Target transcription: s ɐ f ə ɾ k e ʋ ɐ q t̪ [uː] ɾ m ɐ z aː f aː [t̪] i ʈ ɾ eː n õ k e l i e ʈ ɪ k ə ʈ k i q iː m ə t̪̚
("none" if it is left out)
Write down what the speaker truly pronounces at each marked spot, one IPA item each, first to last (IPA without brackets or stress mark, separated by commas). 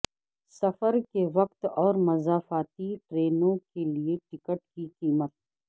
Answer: ɔː, t̪